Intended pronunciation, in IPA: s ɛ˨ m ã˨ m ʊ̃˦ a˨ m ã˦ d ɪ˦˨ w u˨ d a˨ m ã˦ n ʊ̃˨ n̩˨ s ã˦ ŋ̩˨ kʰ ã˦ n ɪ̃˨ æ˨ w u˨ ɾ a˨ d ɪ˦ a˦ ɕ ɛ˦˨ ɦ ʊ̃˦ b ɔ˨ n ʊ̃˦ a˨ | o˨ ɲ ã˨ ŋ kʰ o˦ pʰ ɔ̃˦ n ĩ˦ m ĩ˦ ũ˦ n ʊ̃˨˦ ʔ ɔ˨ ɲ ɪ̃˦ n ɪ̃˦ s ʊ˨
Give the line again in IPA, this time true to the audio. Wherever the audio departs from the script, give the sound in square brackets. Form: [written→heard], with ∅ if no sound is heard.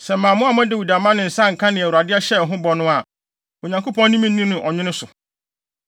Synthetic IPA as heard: s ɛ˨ m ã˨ m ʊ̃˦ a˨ m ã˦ d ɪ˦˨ w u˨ d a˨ m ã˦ n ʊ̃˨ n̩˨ s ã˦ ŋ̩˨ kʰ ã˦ n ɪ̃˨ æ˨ w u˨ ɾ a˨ d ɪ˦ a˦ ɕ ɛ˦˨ ɦ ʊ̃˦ b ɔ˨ n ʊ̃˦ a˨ | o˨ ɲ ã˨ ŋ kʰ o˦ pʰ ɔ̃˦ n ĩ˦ m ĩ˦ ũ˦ n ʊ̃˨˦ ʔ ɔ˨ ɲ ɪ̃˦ n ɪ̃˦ s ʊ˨